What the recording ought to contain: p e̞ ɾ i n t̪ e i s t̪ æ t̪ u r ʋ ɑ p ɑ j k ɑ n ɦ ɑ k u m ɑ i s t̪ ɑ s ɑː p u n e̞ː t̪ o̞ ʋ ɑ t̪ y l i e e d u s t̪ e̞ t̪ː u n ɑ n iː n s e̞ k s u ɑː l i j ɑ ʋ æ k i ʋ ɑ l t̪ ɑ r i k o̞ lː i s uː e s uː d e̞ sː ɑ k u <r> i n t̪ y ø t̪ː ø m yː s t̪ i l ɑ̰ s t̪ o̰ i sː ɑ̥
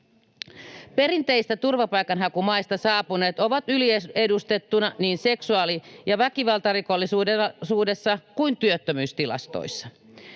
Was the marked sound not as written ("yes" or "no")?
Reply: yes